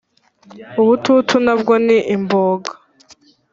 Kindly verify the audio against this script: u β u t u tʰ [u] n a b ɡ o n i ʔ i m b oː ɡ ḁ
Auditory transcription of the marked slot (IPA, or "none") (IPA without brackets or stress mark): u